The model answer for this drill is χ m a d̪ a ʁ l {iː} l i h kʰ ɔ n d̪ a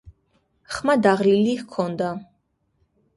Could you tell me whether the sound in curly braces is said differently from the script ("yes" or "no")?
yes